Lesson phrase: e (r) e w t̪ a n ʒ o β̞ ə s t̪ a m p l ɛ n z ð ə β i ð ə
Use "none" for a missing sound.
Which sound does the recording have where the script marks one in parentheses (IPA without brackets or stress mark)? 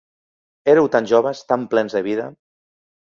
ɾ